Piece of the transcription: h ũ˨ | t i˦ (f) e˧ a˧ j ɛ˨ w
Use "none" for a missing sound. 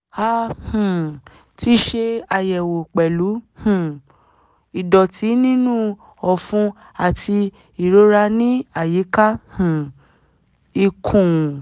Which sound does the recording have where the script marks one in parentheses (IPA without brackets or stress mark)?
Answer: ʃ